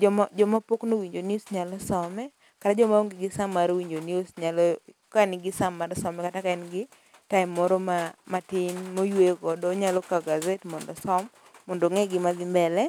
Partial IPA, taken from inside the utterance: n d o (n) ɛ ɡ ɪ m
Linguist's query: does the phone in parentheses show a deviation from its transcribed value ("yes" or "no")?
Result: yes